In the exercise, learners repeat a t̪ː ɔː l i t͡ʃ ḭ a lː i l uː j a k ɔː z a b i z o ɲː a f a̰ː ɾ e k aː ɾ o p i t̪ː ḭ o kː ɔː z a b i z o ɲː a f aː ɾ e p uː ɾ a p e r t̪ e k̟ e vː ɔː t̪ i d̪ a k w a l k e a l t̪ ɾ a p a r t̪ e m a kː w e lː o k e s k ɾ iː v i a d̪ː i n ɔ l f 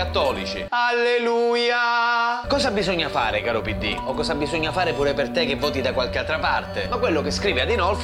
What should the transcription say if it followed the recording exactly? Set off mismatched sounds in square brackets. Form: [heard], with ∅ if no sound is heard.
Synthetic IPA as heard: a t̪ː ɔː l i t͡ʃ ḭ a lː [e] l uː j a k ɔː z a b i z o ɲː a f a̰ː ɾ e k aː ɾ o p i [d̪ː] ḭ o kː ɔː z a b i z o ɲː a f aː ɾ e p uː ɾ [e] p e r t̪ e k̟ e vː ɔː t̪ i d̪ a k w a l k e a l t̪ ɾ a p a r t̪ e m a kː w e lː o k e s k ɾ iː v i a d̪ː i n ɔ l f